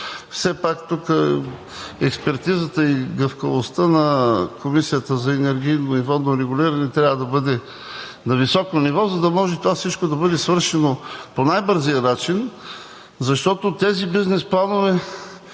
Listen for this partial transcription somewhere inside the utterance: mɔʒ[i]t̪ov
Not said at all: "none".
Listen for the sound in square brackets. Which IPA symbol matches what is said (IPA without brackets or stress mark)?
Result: ɛ